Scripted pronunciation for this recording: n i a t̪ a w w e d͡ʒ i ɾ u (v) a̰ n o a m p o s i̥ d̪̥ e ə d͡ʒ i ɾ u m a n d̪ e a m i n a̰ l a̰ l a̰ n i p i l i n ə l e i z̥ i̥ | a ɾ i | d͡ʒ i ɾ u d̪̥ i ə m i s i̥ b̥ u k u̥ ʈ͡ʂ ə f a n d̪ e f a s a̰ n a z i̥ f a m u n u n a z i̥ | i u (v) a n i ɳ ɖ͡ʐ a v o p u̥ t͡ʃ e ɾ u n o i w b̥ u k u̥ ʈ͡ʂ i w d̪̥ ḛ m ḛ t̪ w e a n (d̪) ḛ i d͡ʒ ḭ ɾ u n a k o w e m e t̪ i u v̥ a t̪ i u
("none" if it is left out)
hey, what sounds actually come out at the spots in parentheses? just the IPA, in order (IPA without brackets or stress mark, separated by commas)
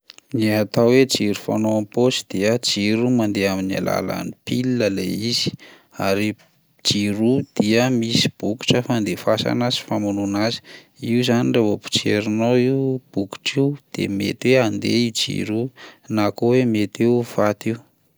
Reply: f, z, d̪